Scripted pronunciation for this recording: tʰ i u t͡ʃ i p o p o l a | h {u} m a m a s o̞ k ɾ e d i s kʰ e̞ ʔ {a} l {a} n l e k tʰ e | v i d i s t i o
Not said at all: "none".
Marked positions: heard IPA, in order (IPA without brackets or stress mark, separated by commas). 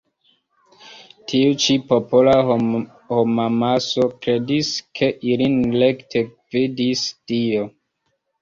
o, i, i